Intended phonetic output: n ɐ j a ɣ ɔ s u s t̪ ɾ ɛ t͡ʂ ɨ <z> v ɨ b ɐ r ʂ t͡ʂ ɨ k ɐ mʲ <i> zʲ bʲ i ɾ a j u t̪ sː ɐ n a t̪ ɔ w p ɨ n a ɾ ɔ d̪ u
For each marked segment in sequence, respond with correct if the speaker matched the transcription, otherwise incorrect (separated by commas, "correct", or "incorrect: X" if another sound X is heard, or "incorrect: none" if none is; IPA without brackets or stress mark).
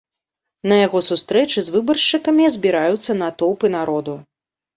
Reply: correct, correct